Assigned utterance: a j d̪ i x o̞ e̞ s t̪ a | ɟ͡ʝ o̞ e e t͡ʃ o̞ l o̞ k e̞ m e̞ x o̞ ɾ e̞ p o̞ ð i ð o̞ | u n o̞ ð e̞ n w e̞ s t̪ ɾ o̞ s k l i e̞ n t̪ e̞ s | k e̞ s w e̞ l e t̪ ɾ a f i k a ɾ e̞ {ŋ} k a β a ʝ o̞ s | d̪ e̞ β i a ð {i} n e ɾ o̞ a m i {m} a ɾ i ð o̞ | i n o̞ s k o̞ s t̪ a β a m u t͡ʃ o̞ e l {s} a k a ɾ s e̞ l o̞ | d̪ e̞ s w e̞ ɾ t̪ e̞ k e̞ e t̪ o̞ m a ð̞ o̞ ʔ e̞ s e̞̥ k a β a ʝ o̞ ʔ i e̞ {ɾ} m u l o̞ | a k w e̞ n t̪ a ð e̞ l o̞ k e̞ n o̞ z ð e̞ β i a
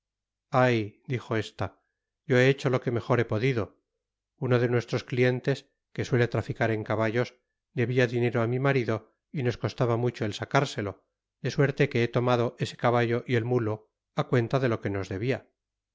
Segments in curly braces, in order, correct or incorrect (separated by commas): correct, correct, correct, correct, incorrect